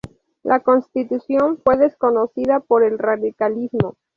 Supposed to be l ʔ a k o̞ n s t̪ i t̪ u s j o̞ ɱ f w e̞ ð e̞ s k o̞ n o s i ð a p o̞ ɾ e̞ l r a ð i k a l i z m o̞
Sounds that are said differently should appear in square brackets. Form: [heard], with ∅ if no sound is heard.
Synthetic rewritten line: l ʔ a k o̞ n s t̪ i t̪ u s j o̞ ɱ f w e̞ ð e̞ s k o̞ n o s i ð a p o̞ ɾ e̞ l r a ð i k a l i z m o̞

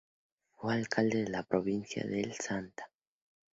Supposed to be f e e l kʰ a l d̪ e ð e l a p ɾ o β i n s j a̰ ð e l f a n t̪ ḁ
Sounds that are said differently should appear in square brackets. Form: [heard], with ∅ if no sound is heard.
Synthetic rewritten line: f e [a] l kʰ a l d̪ e ð e l a p ɾ o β i n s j a̰ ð e l [s] a n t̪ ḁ

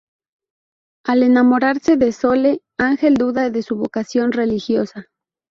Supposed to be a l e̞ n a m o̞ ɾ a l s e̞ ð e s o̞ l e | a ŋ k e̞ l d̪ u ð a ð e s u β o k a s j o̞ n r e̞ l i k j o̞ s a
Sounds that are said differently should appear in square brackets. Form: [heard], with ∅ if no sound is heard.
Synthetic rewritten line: a l e̞ n a m o̞ ɾ a [ɾ] s e̞ ð e s o̞ l e | a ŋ [x] e̞ l d̪ u ð a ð e s u β o k a s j o̞ n r e̞ l i [x] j o̞ s a

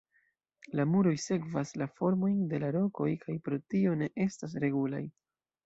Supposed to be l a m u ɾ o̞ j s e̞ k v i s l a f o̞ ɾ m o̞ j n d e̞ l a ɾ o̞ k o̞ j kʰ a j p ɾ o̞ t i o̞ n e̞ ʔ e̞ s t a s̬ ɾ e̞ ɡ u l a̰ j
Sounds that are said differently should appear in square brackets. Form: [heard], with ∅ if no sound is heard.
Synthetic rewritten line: l a m u ɾ o̞ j s e̞ k v [a] s l a f o̞ ɾ m o̞ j n d e̞ l a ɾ o̞ k o̞ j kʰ a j p ɾ o̞ t i o̞ n e̞ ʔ e̞ s t a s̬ ɾ e̞ ɡ u l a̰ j

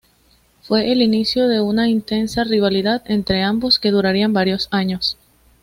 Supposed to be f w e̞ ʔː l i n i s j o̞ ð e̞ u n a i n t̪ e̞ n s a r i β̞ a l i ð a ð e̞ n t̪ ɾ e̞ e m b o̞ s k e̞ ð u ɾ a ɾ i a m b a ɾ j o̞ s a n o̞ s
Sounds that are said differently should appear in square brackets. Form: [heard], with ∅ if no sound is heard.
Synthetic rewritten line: f w e̞ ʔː l i n i s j o̞ ð e̞ u n a i n t̪ e̞ n s a r i β̞ a l i ð a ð e̞ n t̪ ɾ e̞ [a] m b o̞ s k e̞ ð u ɾ a ɾ i a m b a ɾ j o̞ s a [ɲ] o̞ s

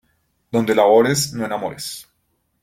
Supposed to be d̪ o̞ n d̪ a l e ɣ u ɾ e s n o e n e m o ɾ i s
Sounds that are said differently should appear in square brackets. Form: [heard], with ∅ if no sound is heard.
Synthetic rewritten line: d̪ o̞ n d̪ [e] l [a] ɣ [o] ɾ e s n o e n [a] m o ɾ [e] s

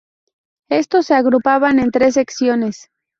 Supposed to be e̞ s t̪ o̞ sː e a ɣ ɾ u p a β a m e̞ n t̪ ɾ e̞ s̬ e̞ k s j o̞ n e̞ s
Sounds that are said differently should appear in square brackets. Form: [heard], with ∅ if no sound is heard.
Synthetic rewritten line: e̞ s t̪ o̞ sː e a ɣ ɾ u p a β a [n] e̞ n t̪ ɾ e̞ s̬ e̞ k s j o̞ n e̞ s

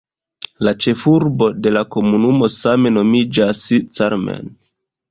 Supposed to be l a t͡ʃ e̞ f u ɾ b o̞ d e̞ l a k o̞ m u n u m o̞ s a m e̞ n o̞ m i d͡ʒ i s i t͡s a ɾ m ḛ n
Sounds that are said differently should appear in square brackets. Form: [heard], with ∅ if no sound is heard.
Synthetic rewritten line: l a t͡ʃ e̞ f u ɾ b o̞ d e̞ l a k o̞ m u n u m o̞ s a m e̞ n o̞ m i d͡ʒ [a] s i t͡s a ɾ m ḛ n

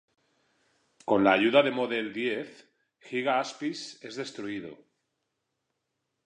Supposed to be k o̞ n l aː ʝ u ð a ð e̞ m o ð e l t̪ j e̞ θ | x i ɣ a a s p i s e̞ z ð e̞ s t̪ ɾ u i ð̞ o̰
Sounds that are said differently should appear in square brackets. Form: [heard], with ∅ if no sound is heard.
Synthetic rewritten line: k o̞ n l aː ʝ u ð a ð e̞ m o ð e l [d̪] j e̞ θ | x i ɣ a a s p i s e̞ z ð e̞ s t̪ ɾ u i ð̞ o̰

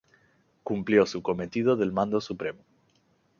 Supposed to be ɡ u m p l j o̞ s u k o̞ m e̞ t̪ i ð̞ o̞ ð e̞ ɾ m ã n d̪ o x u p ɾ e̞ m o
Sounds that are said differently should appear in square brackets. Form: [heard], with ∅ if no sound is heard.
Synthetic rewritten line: [k] u m p l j o̞ s u k o̞ m e̞ t̪ i ð̞ o̞ ð e̞ [l] m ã n d̪ o [s] u p ɾ e̞ m o

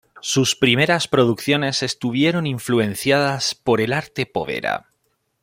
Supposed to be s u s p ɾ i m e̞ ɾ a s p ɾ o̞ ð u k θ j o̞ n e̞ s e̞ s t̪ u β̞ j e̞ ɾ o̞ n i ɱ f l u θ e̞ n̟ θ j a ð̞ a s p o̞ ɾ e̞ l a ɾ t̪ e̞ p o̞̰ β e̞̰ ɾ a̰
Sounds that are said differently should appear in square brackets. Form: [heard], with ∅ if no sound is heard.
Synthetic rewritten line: s u s p ɾ i m e̞ ɾ a s p ɾ o̞ ð u k θ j o̞ n e̞ s e̞ s t̪ u β̞ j e̞ ɾ o̞ n i ɱ f l u [∅] e̞ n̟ θ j a ð̞ a s p o̞ ɾ e̞ l a ɾ t̪ e̞ p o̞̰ β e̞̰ ɾ a̰

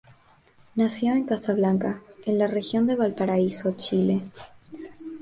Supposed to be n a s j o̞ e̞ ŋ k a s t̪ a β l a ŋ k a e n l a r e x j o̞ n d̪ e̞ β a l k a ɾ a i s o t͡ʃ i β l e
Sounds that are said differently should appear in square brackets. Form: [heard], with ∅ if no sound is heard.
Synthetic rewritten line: n a s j o̞ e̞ ŋ k a s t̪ a β l a ŋ k a e n l a r e x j o̞ n d̪ e̞ β a l [p] a ɾ a i s o t͡ʃ i [∅] l e

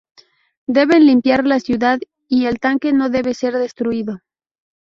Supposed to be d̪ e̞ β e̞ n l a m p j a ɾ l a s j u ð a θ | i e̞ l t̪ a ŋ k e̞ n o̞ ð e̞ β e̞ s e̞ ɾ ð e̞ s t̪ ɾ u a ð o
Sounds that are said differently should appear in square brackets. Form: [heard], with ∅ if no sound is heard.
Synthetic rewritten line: d̪ e̞ β e̞ n l [i] m p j a ɾ l a s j u ð a [ð] | i e̞ l t̪ a ŋ k e̞ n o̞ ð e̞ β e̞ s e̞ ɾ ð e̞ s t̪ ɾ u [i] ð o

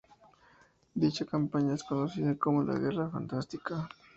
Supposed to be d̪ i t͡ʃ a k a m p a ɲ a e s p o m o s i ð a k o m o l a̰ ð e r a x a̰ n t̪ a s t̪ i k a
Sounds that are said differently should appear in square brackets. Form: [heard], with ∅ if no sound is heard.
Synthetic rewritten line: d̪ i t͡ʃ a k a m p a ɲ a e s [k] o [n] o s i ð a k o m o l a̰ [ɣ] e r a [f] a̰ n t̪ a s t̪ i k a

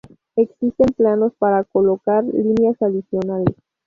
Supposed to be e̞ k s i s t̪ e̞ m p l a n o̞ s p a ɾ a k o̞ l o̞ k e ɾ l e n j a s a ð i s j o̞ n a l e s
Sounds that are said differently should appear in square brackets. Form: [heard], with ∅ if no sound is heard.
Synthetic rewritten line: e̞ k s i s t̪ e̞ m p l a n o̞ s p a ɾ a k o̞ l o̞ k [a] ɾ l [i] n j a s a ð i s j o̞ n a l e s

